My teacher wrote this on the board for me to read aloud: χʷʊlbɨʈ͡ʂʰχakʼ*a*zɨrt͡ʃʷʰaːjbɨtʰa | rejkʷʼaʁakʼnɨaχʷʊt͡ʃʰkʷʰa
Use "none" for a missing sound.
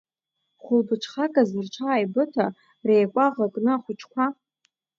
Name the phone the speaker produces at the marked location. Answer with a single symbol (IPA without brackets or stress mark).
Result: a